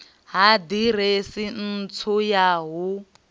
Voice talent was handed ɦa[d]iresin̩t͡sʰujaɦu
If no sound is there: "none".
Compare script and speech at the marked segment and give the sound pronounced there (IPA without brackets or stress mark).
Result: d